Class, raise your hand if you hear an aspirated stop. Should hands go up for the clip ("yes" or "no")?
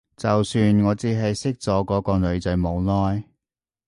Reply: no